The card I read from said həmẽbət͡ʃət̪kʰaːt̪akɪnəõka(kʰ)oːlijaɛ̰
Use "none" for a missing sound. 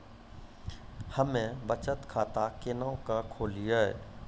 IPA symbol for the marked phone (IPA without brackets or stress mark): kʰ